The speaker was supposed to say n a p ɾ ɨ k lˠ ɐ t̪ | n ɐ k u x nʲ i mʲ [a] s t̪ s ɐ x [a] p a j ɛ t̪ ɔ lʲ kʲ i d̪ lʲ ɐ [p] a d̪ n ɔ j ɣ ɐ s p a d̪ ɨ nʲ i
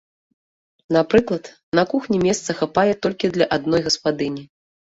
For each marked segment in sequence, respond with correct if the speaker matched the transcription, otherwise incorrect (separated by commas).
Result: incorrect, correct, incorrect